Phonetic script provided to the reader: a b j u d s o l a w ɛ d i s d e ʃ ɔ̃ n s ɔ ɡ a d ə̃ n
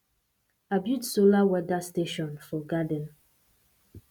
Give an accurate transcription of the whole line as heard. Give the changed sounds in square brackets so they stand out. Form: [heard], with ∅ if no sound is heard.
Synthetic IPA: a b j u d s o l a w ɛ d [a] s [t] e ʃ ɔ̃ n [f] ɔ ɡ a d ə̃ n